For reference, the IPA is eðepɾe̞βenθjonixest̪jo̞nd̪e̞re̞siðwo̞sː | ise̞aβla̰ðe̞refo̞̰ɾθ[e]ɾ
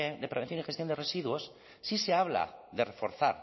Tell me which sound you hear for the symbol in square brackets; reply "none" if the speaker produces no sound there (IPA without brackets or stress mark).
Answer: a